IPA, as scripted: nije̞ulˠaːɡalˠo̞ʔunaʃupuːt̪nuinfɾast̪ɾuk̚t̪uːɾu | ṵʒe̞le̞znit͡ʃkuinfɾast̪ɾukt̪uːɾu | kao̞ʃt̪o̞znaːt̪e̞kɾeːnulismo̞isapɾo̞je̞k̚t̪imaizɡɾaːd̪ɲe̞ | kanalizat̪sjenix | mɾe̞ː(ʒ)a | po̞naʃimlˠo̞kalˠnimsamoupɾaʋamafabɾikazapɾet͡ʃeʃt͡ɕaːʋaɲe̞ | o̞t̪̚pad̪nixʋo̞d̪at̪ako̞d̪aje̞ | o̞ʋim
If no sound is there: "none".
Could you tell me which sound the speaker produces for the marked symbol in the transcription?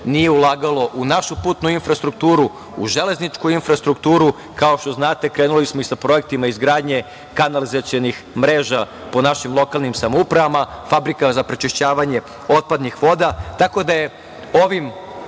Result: ʒ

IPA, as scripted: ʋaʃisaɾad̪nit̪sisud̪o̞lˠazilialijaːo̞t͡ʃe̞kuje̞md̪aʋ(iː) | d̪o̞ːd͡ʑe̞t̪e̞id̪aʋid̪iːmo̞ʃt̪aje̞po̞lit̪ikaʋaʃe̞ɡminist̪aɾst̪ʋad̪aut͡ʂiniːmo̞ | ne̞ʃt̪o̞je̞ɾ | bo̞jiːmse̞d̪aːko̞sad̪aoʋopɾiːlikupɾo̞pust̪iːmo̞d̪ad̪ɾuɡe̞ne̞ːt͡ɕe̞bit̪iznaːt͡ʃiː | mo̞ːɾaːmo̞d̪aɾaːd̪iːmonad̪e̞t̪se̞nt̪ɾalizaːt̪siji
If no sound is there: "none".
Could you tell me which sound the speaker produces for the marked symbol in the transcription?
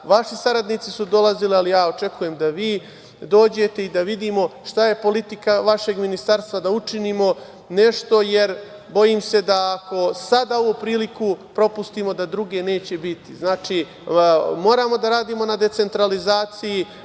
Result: iː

